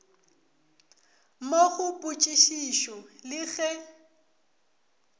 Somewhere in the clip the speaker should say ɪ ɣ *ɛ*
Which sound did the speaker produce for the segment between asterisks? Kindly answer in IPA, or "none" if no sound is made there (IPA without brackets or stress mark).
ɛ